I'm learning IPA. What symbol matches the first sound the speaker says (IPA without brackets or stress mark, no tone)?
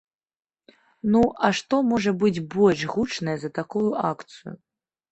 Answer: n